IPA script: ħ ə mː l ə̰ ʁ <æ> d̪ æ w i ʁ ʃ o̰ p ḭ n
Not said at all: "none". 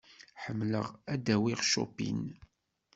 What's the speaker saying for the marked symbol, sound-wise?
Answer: æ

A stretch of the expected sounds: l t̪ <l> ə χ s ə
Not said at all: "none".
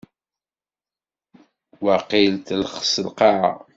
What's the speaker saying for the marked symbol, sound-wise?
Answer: l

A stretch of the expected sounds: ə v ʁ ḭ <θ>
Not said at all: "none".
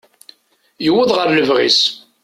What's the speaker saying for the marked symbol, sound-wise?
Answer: s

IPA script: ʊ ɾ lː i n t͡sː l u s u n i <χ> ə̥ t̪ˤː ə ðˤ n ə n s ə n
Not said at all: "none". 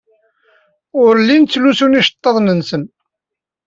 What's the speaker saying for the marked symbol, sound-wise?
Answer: ʃ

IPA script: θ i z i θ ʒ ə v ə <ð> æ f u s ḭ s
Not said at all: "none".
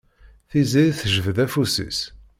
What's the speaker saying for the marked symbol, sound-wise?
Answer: ð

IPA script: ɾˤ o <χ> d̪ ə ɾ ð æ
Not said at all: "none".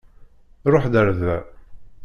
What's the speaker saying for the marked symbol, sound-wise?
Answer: ħ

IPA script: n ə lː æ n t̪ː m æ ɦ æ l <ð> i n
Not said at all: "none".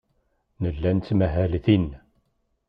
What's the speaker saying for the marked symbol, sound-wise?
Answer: θ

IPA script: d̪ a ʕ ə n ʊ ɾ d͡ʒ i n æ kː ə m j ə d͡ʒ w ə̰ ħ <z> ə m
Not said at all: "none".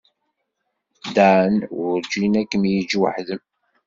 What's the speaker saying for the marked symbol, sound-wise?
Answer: ð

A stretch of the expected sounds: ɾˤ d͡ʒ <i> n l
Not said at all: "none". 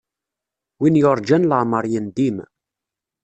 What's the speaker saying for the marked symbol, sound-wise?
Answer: æ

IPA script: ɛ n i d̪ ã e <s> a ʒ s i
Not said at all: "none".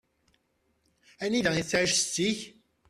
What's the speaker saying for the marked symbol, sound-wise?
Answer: s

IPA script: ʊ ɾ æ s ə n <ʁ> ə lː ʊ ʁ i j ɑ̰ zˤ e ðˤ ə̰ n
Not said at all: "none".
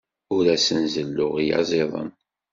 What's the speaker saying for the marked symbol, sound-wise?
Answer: z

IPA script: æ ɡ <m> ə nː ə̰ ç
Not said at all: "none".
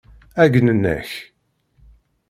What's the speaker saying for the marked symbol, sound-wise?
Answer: n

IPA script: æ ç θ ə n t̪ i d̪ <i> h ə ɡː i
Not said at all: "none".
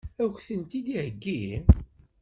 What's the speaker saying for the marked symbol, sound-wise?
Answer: i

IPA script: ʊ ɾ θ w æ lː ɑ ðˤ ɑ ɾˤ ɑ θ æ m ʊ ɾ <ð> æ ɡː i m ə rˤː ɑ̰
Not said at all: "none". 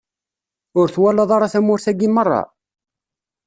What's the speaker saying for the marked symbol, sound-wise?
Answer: θ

